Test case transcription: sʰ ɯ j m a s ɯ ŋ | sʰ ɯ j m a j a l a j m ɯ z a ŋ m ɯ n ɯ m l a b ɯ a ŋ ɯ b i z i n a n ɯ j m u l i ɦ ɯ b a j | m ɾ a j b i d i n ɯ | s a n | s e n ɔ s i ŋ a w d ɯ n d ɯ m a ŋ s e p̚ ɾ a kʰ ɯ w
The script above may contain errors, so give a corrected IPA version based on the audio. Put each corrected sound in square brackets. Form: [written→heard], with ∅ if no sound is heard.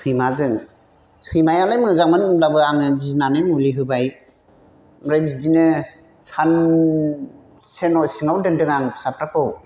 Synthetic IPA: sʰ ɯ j m a [s→z] ɯ ŋ | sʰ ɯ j m a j a l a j m ɯ z a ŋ m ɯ n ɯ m l a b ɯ a ŋ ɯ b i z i n a n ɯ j m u l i ɦ ɯ b a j | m ɾ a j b i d i n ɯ | s a n | s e n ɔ s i ŋ a w d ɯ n d ɯ [m→ŋ] a ŋ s [e→a] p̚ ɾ a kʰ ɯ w